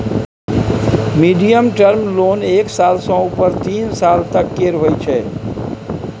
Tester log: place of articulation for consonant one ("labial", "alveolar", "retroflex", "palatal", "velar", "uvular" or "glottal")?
labial